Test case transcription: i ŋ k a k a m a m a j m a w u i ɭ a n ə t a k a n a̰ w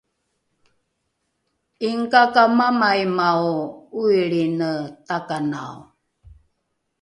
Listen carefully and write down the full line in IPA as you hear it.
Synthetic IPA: i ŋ k a k a m a m a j m a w u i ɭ i n ə t a k a n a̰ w